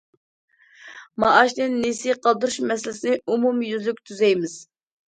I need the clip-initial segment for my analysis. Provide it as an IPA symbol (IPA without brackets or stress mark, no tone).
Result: m